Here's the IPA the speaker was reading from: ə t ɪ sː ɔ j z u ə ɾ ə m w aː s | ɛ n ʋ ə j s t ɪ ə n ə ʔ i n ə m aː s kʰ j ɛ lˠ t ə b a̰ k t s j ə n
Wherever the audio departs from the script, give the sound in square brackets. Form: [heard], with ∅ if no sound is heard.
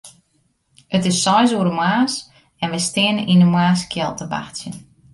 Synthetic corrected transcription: ə t ɪ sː ɔ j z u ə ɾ ə m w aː s | ɛ n ʋ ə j s t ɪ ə n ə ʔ i n ə m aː s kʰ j ɛ lˠ t ə b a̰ [x] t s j ə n